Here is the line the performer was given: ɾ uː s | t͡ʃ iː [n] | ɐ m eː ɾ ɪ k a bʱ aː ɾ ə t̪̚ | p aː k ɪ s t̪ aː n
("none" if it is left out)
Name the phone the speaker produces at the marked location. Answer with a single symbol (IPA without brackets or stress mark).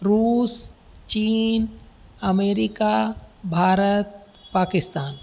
n